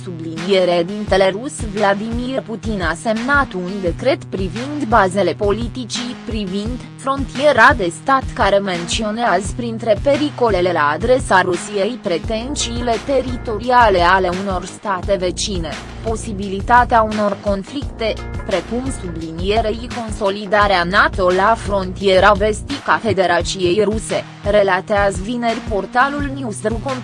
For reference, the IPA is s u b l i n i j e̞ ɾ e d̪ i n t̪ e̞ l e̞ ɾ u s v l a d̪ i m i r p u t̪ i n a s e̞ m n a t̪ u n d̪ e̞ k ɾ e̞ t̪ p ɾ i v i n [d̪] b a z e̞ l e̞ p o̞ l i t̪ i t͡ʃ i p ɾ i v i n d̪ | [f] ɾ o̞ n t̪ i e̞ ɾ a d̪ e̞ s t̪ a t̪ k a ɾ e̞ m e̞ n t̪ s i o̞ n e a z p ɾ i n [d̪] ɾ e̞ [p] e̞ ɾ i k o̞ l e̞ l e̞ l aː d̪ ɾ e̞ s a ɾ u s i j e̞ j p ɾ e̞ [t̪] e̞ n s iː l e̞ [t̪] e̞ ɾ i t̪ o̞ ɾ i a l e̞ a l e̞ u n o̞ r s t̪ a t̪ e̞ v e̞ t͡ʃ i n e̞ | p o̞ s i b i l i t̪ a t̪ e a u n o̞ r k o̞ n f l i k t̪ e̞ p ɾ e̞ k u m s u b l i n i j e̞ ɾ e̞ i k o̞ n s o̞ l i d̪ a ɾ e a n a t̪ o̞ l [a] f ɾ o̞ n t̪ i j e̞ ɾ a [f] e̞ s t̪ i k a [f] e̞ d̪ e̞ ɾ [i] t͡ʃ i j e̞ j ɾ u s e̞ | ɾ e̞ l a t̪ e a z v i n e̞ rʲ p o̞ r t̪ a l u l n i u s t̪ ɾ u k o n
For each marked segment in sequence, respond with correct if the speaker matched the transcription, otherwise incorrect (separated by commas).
correct, correct, incorrect, correct, correct, correct, correct, incorrect, correct, incorrect